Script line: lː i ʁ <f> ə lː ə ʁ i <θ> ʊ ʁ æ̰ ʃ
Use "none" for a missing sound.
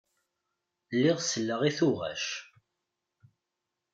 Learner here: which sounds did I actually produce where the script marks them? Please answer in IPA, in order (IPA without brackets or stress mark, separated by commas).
s, θ